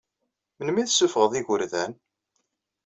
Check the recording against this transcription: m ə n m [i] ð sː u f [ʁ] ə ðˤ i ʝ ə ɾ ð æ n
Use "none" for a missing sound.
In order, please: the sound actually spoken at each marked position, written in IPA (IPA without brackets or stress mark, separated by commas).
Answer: i, ʁ